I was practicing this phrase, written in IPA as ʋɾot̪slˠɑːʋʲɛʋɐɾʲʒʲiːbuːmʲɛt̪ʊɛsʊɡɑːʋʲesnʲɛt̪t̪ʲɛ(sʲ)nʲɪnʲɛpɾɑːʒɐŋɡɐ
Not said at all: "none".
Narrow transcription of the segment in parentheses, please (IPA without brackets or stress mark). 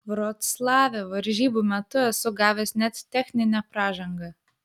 xʲ